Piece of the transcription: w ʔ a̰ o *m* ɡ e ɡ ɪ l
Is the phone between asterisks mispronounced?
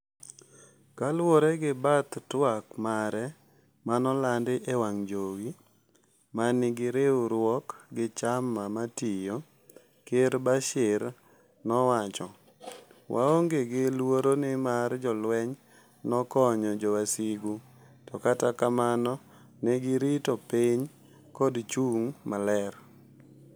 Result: yes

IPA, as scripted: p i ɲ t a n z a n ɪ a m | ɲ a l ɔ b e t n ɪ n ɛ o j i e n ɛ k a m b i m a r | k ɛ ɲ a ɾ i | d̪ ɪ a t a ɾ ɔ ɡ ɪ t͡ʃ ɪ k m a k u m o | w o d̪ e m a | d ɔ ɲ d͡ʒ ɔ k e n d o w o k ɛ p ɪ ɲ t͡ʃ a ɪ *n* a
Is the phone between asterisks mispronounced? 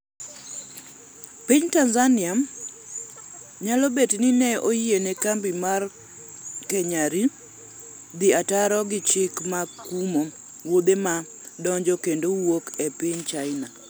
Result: no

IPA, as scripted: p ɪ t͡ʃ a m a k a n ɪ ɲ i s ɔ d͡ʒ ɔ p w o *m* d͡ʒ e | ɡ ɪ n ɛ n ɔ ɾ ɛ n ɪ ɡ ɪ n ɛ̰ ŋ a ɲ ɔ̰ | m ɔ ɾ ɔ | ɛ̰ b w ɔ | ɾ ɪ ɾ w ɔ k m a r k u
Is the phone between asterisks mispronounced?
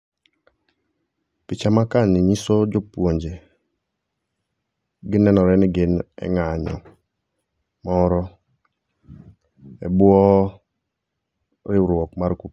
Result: yes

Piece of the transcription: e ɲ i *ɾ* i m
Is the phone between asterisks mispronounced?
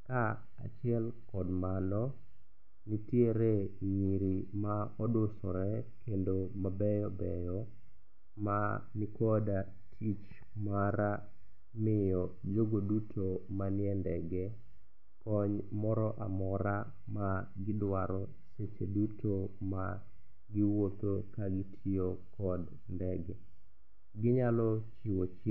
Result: no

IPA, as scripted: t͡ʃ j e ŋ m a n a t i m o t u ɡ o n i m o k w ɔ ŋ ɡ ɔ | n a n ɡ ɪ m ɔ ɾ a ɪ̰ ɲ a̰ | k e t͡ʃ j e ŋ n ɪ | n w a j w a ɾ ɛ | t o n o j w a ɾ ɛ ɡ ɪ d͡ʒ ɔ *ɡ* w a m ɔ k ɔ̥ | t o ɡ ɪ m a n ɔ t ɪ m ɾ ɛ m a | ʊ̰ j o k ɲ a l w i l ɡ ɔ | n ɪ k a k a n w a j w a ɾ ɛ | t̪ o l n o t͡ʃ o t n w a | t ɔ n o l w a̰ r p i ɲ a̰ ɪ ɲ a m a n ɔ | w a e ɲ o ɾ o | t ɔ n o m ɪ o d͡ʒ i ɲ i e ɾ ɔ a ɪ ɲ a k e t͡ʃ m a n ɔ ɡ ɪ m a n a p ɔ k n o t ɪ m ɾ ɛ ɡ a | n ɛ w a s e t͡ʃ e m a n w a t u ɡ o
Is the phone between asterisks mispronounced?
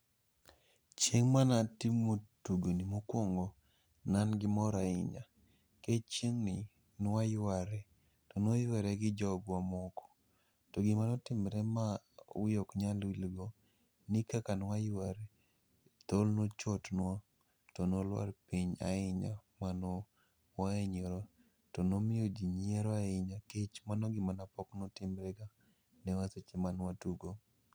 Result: no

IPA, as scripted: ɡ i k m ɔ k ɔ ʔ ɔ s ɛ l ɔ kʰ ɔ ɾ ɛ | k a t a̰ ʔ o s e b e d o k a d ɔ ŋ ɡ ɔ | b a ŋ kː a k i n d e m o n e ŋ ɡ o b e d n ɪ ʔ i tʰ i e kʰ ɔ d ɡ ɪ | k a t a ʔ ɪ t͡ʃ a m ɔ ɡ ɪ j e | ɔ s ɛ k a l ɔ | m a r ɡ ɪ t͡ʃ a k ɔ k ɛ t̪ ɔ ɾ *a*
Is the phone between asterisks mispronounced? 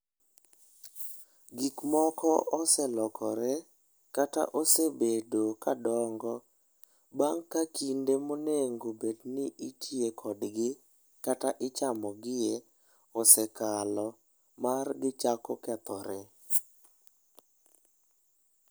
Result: yes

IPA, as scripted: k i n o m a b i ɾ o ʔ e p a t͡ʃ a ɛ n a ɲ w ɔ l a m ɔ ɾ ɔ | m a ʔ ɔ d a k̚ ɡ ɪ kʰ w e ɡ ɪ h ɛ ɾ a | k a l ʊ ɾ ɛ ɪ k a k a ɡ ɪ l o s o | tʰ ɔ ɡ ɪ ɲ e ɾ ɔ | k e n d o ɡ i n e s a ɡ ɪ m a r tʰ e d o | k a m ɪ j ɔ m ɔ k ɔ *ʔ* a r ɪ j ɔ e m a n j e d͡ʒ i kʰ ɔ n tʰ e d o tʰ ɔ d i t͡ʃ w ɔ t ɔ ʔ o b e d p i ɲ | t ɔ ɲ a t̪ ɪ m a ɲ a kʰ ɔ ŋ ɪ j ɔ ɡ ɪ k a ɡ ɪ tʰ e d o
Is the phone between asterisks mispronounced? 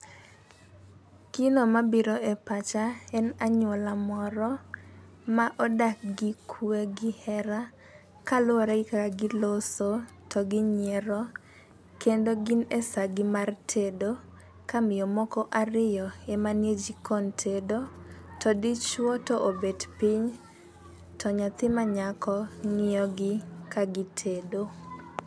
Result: no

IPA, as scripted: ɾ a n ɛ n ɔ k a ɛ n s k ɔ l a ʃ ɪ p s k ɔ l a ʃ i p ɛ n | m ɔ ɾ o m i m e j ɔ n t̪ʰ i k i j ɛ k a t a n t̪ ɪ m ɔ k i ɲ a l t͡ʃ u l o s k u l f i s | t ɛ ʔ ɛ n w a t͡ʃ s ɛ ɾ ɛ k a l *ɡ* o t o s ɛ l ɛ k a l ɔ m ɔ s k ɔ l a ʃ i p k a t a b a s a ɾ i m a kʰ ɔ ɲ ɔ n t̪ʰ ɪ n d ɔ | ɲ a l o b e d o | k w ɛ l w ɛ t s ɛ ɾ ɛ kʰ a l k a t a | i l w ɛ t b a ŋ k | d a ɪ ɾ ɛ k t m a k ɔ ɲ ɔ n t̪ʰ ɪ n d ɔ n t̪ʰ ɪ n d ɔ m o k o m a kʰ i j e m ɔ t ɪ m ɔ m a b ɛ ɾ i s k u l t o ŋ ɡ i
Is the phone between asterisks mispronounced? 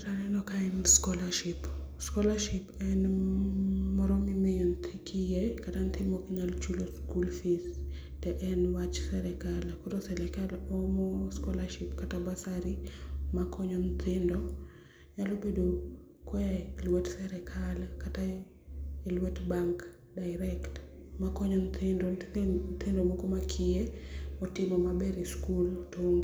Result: yes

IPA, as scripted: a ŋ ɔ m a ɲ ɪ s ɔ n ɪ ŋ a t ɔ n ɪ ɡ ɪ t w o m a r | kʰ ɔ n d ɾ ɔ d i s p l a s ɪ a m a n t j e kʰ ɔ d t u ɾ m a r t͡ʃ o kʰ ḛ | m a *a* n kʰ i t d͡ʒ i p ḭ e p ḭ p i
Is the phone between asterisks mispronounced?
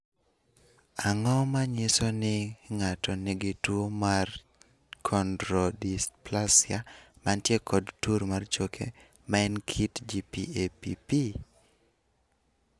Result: yes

